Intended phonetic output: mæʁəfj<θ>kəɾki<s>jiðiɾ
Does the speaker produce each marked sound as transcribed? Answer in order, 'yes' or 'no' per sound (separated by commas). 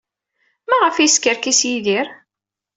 no, yes